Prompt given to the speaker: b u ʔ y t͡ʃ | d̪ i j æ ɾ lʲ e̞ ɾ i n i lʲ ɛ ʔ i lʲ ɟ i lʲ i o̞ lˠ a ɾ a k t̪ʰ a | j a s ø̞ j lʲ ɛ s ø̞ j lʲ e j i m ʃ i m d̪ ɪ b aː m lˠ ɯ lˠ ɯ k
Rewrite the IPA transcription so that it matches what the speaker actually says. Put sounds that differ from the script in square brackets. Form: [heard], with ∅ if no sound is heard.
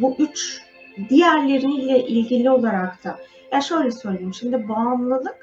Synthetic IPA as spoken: b u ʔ y t͡ʃ | d̪ i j æ ɾ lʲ e̞ ɾ i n i lʲ ɛ ʔ i lʲ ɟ i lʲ i o̞ lˠ a ɾ a k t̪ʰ a | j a [ʃ] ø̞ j lʲ ɛ s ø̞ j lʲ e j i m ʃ i m d̪ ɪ b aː m lˠ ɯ lˠ ɯ k